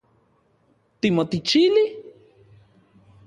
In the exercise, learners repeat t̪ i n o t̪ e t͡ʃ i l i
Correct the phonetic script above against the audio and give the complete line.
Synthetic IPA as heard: t̪ i m o t̪ i t͡ʃ i l i